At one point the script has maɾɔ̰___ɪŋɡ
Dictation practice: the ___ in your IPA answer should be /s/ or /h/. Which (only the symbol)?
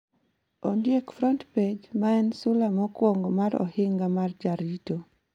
h